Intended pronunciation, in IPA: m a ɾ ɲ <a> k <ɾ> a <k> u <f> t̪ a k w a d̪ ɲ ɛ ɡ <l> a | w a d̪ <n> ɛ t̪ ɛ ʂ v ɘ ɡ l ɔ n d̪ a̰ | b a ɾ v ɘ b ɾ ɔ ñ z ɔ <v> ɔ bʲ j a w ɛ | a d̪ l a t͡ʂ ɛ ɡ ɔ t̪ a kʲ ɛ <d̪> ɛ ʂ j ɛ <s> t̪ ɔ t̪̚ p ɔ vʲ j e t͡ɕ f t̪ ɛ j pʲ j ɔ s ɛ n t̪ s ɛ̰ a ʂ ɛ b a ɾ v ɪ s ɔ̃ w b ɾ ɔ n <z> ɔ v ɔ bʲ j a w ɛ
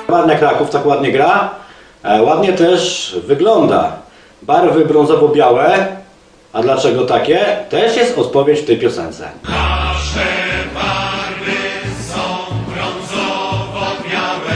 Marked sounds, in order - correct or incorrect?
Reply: correct, correct, correct, correct, incorrect: ɾ, incorrect: ɲ, correct, incorrect: t̪, correct, correct

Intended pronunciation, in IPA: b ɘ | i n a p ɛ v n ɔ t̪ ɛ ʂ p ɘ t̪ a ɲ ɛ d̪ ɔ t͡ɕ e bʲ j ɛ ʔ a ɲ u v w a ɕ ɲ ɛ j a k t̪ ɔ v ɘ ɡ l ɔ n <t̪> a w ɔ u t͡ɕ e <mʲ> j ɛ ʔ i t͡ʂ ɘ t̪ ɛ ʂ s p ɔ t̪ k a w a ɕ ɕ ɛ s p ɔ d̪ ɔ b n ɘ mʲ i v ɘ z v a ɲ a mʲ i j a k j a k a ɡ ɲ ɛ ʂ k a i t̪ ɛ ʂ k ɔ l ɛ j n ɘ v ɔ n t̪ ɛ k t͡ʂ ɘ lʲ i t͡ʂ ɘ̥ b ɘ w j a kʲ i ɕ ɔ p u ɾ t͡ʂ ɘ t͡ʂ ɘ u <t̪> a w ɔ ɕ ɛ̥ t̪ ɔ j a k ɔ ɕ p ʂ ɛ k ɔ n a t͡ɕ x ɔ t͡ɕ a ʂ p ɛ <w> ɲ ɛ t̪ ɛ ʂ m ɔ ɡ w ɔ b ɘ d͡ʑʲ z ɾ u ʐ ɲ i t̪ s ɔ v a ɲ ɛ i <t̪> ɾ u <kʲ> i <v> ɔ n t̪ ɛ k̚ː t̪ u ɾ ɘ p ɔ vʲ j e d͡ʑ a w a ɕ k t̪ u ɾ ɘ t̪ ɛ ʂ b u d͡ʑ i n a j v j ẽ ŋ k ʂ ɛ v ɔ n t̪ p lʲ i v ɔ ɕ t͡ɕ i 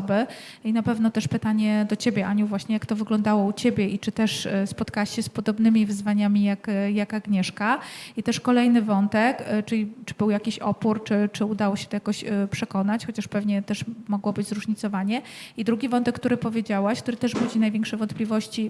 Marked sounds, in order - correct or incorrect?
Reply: incorrect: d̪, incorrect: bʲ, incorrect: d̪, incorrect: v, incorrect: d̪, incorrect: ɡʲ, correct

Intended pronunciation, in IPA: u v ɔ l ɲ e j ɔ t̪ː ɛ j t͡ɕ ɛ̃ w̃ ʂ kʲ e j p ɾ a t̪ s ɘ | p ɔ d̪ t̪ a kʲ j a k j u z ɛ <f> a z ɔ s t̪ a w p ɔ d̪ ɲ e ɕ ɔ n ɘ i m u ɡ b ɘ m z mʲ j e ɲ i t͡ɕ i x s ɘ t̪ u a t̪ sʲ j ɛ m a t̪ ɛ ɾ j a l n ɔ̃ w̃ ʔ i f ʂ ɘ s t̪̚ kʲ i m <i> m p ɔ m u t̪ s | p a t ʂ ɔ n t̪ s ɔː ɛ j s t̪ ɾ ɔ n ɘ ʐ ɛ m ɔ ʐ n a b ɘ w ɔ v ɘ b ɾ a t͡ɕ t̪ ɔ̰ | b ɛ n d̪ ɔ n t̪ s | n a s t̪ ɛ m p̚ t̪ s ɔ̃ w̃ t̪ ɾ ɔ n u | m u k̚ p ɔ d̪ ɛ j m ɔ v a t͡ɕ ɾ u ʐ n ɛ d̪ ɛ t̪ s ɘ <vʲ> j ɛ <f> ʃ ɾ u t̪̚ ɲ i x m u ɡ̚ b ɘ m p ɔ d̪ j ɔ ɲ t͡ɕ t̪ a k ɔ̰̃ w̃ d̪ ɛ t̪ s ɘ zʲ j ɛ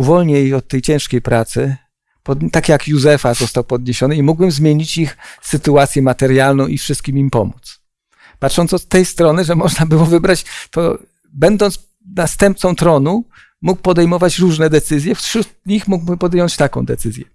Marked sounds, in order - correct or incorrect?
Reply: correct, correct, incorrect: zʲ, correct

